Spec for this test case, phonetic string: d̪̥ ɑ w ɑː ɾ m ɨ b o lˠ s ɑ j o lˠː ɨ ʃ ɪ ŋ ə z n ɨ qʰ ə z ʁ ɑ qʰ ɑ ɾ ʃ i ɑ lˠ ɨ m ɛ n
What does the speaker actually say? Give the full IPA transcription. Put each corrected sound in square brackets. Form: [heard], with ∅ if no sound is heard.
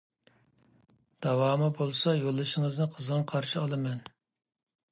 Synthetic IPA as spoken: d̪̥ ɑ w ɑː [∅] m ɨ b o lˠ s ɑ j o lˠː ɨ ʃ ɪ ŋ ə z n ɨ qʰ ə z ʁ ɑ qʰ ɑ ɾ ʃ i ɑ lˠ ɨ m ɛ n